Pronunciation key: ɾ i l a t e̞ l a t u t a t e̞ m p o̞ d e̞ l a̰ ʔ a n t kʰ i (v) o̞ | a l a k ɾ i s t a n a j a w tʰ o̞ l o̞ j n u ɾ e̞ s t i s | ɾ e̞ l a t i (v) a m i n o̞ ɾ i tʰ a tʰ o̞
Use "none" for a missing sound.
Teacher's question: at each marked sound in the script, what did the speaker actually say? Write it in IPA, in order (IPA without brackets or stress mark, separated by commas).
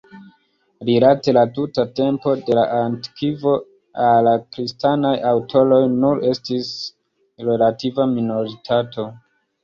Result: v, v